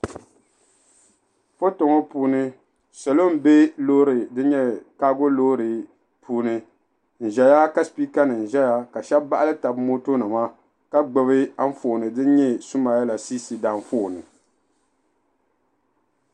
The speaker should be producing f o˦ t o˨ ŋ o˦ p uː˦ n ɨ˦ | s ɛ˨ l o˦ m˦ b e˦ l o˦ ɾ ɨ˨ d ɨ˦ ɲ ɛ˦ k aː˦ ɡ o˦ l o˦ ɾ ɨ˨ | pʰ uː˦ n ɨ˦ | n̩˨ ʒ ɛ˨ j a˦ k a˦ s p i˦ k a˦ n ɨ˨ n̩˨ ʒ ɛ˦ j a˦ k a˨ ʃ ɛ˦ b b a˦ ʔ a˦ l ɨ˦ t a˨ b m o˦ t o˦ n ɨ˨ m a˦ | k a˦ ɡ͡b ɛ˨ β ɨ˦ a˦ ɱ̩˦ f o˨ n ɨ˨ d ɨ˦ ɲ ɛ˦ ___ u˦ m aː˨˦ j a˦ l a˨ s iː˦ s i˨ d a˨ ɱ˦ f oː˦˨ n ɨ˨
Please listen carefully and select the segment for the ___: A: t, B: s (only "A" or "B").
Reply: B